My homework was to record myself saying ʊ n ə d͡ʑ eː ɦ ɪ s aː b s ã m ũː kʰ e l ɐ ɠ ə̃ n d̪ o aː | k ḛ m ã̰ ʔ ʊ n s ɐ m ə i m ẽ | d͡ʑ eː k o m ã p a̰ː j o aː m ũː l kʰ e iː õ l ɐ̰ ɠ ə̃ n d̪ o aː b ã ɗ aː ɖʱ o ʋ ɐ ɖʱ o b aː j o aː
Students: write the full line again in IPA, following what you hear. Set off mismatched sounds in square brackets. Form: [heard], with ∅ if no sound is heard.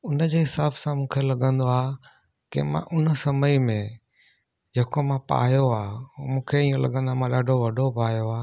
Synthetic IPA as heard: ʊ n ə d͡ʑ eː ɦ ɪ s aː b s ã m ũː kʰ e l ɐ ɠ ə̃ n d̪ o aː | k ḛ m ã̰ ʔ ʊ n s ɐ m ə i m ẽ | d͡ʑ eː k o m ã p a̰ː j o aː m ũː [∅] kʰ e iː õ l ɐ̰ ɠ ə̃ n d̪ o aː [m] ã ɗ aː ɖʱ o ʋ ɐ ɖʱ o [p] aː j o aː